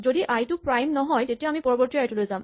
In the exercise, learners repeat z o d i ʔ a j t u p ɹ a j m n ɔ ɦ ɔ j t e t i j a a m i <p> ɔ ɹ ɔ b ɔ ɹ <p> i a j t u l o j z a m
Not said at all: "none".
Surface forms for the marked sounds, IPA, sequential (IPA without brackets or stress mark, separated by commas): p, t